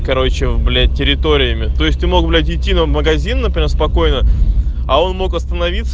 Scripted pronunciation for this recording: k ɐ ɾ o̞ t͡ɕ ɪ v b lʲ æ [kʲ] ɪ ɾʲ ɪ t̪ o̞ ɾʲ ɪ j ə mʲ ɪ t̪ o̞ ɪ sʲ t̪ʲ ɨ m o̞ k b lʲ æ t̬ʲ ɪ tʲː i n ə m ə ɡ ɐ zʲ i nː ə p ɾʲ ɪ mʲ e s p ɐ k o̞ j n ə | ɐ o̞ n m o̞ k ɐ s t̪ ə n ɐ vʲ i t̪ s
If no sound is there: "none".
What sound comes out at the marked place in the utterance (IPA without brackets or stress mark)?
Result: tʲ